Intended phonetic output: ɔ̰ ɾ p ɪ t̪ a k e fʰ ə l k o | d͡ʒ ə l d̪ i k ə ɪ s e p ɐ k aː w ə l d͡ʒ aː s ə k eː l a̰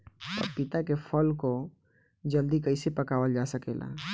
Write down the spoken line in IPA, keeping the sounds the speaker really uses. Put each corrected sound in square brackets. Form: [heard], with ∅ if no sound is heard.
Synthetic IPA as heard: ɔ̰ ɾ p ɪ t̪ a k e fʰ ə l k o | d͡ʒ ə l d̪ i k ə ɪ s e p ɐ k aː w ə l d͡ʒ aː s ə k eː l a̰